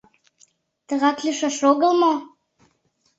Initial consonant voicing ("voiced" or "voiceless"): voiceless